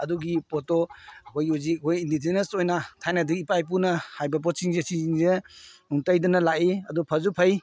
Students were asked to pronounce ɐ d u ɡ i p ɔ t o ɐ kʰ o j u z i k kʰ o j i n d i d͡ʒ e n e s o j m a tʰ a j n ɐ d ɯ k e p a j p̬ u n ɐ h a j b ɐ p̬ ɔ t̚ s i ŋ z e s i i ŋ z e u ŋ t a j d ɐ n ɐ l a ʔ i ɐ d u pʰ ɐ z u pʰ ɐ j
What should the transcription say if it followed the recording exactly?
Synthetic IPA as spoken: ɐ d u ɡ i p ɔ t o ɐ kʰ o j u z i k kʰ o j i n d i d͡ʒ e n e s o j n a tʰ a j n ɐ d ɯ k i p a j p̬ u n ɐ h a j b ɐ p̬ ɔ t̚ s i ŋ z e s i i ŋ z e u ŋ t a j d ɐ n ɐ l a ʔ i ɐ d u pʰ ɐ z u pʰ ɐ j